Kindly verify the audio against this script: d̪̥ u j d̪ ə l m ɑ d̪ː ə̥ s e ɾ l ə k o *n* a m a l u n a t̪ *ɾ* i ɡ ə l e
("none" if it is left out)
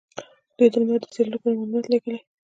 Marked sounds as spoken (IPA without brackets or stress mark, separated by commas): n, l